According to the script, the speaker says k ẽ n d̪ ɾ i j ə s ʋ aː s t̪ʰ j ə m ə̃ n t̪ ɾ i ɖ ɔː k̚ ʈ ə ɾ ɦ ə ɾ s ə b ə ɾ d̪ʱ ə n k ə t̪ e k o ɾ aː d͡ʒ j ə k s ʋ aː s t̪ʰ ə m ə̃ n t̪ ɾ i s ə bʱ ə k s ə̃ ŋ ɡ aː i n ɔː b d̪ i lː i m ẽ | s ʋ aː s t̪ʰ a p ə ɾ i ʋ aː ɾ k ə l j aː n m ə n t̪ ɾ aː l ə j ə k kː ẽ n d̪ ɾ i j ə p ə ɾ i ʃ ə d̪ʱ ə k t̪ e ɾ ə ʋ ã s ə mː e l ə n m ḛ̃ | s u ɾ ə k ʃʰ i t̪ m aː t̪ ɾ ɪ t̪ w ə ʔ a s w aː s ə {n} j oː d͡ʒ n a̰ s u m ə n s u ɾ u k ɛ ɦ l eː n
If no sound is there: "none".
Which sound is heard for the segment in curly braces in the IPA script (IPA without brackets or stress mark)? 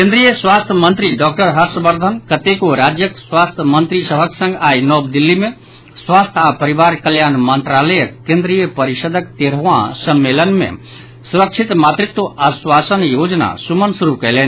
n